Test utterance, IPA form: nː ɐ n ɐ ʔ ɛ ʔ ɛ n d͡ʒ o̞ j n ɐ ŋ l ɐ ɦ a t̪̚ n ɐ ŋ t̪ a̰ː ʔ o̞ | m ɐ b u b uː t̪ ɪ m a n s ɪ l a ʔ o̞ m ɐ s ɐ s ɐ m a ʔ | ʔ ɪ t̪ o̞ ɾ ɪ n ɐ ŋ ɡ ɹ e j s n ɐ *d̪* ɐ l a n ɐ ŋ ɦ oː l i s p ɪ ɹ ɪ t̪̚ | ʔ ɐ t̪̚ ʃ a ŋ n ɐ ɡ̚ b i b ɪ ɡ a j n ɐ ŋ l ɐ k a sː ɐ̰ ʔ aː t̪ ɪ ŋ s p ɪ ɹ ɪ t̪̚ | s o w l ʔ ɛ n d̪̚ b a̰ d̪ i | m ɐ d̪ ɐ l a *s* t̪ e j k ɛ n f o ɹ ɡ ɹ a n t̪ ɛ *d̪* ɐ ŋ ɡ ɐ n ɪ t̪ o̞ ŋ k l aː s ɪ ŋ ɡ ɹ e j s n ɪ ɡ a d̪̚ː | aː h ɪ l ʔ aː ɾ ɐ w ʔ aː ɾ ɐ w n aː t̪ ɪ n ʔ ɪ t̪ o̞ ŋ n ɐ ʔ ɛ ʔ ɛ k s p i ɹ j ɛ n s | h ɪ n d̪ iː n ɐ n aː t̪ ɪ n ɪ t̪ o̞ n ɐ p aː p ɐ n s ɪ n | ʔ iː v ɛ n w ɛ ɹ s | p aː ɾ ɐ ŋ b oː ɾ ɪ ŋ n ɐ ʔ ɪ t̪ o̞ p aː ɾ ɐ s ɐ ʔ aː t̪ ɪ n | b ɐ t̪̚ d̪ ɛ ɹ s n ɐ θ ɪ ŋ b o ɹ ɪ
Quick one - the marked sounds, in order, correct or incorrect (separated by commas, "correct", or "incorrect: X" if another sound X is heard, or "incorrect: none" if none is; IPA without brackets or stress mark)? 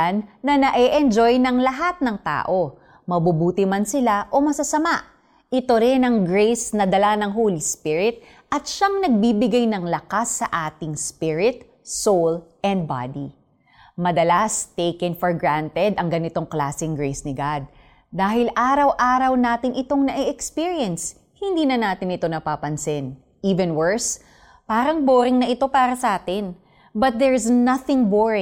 correct, correct, correct